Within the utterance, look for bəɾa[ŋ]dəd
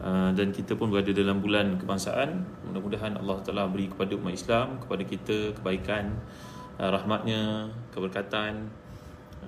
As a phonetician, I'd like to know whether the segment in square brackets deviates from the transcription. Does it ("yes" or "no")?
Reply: yes